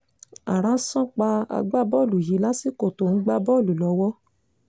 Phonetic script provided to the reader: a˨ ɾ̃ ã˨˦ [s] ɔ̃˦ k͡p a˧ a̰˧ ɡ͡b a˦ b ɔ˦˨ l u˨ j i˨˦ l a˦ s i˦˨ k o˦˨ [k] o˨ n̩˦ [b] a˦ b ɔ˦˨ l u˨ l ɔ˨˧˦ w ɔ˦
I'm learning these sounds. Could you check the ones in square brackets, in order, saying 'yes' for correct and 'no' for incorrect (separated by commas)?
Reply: yes, no, no